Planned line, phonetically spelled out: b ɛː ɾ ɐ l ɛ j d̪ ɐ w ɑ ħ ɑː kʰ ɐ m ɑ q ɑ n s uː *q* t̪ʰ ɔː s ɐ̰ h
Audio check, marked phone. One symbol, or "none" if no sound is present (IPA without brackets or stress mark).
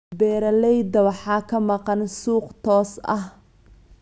q